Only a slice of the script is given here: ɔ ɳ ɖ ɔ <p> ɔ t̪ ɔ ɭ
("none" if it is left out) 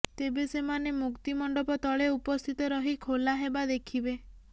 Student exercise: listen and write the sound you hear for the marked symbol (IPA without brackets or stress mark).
p